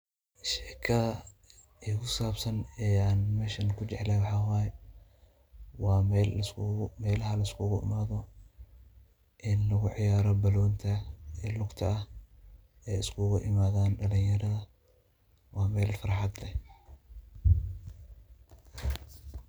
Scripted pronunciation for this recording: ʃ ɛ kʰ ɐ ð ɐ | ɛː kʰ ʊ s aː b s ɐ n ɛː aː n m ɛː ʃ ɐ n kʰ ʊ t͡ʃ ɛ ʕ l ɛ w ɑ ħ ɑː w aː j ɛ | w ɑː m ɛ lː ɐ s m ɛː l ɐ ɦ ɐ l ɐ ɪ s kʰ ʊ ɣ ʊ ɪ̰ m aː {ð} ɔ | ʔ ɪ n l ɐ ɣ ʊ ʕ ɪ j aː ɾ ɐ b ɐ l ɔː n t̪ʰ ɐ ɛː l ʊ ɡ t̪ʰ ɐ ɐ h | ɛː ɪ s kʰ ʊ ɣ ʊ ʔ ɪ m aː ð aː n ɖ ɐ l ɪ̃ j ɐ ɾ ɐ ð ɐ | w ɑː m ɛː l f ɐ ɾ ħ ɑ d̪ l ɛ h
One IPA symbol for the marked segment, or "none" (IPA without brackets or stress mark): ð